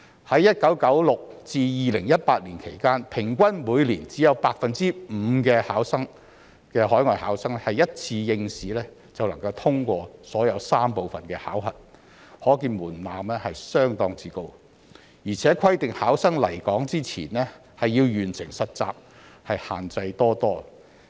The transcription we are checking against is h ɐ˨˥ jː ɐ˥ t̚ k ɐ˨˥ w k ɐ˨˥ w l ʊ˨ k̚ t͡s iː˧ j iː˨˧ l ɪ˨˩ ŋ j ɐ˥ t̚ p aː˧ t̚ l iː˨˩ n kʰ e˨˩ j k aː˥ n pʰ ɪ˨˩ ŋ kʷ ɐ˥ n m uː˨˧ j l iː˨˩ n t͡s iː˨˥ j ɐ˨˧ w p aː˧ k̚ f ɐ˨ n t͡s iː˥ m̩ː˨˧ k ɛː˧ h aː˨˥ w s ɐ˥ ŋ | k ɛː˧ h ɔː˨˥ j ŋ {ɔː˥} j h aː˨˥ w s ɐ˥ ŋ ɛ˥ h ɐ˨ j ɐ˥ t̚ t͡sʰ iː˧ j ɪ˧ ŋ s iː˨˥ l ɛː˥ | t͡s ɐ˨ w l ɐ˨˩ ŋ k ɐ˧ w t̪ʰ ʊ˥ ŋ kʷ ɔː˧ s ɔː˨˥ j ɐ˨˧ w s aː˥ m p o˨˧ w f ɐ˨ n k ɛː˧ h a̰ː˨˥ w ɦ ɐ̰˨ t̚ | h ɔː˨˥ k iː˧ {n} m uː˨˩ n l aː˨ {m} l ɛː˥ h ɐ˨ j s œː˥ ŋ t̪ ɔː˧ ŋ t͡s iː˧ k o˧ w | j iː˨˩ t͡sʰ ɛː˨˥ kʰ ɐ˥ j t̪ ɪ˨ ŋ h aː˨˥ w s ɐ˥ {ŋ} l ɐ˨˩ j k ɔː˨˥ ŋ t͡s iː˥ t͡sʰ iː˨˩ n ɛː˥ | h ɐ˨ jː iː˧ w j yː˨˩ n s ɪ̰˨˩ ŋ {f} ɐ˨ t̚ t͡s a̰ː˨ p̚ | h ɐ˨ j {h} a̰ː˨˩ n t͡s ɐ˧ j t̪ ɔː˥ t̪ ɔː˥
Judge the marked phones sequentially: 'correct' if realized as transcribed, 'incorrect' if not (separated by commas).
incorrect, correct, correct, correct, incorrect, correct